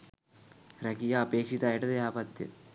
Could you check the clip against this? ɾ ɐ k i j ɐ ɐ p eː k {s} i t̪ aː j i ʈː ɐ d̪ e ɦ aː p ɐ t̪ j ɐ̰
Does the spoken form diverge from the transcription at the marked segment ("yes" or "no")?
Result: yes